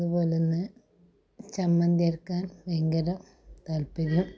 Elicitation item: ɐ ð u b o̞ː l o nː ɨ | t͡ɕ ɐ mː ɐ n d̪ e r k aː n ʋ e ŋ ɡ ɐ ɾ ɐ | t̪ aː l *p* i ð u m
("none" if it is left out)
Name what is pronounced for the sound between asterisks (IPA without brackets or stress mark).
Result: p